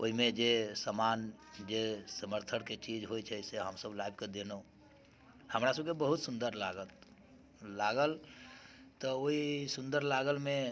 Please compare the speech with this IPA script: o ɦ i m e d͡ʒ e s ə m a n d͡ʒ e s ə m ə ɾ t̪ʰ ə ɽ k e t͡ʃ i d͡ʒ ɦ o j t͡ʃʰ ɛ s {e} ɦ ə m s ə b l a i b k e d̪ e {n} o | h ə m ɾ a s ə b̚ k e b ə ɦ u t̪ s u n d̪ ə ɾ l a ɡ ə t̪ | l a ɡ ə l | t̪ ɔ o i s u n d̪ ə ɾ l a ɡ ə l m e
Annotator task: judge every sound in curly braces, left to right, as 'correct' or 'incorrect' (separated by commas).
correct, correct